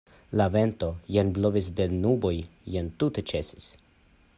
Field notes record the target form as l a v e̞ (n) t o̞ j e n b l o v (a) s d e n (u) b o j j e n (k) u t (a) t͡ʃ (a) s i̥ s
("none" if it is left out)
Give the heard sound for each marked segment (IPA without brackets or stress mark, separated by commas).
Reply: n, i, u, t, e, e